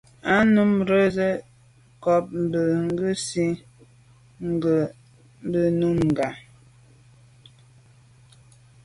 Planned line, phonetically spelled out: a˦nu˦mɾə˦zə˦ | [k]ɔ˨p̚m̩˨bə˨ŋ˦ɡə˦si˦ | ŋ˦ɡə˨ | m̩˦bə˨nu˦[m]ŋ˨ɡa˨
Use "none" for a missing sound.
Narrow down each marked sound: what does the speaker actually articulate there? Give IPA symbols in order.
k, m

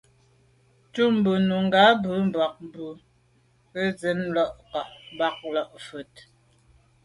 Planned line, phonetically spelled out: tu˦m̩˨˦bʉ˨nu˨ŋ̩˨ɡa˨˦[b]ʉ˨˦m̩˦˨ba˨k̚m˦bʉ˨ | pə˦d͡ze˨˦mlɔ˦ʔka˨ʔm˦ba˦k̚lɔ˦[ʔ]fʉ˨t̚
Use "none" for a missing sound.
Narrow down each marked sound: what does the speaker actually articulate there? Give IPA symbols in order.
b, ʔ

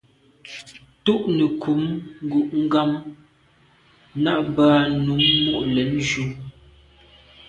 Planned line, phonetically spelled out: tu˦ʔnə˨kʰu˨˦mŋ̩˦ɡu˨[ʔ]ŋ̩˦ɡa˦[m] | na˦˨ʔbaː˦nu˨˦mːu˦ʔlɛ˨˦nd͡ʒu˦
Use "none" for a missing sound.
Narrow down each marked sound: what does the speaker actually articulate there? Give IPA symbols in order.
ʔ, m

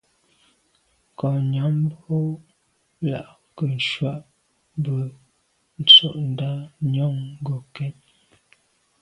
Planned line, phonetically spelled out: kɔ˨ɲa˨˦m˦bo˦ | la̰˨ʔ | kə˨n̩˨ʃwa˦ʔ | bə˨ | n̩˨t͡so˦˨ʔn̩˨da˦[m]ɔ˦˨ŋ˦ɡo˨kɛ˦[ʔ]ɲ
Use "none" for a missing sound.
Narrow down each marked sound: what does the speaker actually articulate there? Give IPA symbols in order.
ɲ, none

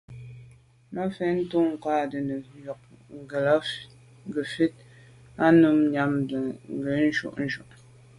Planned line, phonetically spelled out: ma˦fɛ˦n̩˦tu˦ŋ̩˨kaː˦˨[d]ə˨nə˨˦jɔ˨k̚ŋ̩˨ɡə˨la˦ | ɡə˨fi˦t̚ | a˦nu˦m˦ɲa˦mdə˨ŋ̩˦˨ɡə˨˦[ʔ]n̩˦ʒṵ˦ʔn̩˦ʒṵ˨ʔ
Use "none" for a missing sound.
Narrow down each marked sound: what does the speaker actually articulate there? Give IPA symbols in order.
d, none

